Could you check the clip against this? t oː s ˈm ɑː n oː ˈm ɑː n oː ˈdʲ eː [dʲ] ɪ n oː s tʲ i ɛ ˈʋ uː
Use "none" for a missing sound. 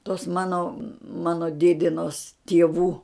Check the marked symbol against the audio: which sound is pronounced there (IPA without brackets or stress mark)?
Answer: dʲ